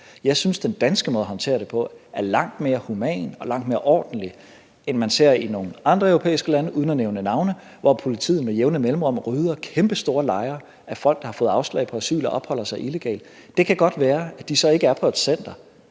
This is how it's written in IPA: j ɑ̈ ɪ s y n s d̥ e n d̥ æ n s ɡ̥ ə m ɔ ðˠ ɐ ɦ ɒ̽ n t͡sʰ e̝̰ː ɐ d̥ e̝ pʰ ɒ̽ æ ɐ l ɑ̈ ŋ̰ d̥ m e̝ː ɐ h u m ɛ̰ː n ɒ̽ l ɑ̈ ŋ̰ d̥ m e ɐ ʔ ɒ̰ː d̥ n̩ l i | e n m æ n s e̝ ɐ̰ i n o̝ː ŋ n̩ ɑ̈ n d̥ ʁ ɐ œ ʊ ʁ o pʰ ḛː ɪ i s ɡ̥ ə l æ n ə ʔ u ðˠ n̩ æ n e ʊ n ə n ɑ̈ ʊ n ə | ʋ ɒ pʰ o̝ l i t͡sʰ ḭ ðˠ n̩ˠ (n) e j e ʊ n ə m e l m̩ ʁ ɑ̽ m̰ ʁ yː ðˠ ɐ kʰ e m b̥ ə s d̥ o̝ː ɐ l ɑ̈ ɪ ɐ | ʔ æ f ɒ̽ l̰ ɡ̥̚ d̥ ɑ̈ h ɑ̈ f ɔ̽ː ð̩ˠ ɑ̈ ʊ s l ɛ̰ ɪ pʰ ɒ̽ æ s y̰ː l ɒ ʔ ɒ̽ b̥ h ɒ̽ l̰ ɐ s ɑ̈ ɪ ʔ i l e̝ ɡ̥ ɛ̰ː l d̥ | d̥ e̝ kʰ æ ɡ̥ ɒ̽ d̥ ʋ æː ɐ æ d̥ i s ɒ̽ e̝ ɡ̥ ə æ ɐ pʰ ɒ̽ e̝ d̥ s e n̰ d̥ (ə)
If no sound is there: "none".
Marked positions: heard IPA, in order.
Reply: m, ɐ

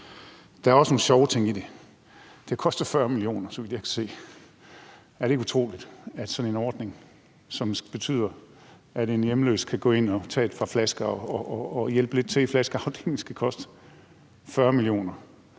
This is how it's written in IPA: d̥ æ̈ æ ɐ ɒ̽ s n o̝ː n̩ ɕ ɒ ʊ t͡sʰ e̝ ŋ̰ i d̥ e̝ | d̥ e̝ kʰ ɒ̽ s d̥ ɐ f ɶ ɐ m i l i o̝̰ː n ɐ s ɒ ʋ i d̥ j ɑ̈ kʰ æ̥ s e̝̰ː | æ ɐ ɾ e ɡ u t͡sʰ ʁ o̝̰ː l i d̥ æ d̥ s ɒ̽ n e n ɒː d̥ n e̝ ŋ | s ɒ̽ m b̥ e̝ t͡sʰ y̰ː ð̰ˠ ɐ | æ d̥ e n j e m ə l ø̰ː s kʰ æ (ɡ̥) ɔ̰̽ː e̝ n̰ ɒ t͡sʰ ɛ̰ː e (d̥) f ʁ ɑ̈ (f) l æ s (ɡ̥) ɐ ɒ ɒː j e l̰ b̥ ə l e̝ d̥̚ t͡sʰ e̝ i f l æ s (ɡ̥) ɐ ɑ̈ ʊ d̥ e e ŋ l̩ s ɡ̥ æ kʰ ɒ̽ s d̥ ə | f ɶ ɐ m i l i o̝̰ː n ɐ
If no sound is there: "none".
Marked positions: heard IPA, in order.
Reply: ɡ̥, d̥, f, ɡ̥, ɡ̥

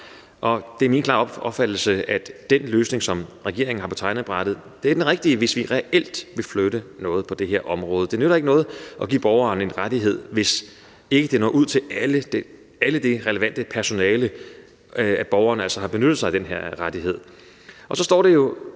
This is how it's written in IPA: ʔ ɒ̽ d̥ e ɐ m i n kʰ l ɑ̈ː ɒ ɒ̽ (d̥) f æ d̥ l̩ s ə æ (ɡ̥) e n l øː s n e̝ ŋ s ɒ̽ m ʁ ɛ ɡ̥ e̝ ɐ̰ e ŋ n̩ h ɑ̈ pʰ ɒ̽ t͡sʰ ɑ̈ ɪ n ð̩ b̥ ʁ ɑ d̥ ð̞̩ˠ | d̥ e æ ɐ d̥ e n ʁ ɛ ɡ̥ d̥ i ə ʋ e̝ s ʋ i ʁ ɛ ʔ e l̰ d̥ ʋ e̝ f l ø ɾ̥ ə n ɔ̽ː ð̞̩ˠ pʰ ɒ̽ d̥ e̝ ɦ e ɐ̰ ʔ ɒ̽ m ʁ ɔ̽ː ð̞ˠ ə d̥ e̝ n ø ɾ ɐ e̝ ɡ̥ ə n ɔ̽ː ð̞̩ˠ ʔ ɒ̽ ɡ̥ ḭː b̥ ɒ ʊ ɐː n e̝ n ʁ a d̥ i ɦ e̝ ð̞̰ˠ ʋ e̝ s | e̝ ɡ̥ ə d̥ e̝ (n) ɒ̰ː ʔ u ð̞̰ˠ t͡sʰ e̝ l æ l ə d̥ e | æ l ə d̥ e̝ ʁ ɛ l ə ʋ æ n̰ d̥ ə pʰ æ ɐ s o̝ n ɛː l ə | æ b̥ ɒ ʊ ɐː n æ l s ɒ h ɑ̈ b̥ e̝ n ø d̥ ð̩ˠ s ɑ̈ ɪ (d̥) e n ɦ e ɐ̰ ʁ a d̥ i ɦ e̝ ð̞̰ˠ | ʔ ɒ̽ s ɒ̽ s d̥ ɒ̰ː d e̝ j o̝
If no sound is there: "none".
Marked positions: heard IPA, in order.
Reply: b̥, d̥, n, d̥

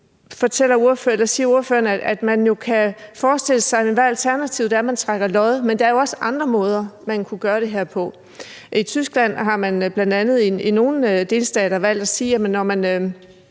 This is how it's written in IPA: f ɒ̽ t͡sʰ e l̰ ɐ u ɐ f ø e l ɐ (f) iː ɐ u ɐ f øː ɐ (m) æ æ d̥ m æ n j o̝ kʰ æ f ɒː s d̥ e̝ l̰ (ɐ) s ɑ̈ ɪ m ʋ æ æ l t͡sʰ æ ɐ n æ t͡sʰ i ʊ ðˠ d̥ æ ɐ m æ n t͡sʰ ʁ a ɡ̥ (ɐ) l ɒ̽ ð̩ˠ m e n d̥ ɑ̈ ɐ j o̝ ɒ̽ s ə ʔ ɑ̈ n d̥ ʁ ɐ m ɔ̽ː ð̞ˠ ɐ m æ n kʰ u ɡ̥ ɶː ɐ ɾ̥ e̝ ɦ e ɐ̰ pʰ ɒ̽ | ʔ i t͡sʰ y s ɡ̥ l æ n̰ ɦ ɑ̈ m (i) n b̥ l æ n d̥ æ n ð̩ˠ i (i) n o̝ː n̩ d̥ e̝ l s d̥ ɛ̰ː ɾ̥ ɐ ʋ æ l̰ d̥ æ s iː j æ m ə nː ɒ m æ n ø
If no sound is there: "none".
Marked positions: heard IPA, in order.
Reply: s, n, ə, ɐ, æ, i

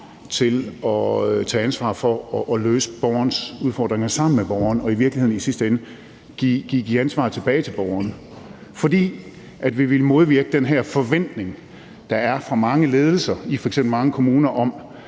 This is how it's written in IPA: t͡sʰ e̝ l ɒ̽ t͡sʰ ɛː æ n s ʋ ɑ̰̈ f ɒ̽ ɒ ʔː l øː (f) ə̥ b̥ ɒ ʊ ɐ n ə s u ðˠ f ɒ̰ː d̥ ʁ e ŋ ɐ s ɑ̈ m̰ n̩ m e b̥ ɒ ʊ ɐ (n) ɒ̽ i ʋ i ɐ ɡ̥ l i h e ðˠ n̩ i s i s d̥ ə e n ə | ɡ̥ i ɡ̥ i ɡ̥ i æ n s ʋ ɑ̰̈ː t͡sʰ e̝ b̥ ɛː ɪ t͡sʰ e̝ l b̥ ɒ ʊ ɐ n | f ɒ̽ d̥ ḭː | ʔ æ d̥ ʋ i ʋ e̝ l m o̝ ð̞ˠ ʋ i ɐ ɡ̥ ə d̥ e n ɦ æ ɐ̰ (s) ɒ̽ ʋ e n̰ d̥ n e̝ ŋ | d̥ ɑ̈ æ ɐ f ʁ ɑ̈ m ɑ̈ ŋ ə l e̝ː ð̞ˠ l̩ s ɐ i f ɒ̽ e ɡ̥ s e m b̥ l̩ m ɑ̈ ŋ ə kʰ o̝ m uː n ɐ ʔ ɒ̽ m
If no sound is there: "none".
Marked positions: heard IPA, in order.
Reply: s, n, f

